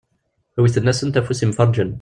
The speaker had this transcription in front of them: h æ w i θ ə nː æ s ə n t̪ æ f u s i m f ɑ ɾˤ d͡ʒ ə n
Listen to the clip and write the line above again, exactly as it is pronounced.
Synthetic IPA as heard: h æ w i θ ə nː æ s ə n t̪ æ f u s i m f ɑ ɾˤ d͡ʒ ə n